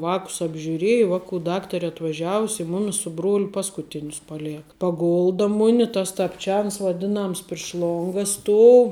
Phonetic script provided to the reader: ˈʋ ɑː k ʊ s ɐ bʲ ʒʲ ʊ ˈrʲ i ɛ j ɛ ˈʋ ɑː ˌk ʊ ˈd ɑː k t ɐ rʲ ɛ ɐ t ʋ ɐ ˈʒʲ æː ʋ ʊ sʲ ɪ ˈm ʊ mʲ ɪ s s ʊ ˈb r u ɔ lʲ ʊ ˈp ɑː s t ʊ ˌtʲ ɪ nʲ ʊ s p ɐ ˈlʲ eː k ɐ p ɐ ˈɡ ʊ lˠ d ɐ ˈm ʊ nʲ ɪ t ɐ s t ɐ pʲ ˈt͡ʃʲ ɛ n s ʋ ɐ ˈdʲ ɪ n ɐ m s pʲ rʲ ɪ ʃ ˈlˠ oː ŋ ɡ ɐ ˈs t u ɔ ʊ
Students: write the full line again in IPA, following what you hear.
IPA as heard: ˈʋ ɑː k ʊ s ɐ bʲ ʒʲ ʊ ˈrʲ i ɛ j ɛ ˈʋ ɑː ˌk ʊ ˈd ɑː k t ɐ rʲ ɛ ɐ t ʋ ɐ ˈʒʲ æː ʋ ʊ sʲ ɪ ˈm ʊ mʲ ɪ s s ʊ ˈb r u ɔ lʲ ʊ ˈp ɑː s k ʊ ˌtʲ ɪ nʲ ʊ s p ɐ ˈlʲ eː k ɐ p ɐ ˈɡ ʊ lˠ d ɐ ˈm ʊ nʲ ɪ t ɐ s t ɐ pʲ ˈt͡ʃʲ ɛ n s ʋ ɐ ˈdʲ ɪ n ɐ m s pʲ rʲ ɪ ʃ ˈlˠ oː ŋ ɡ ɐ ˈs t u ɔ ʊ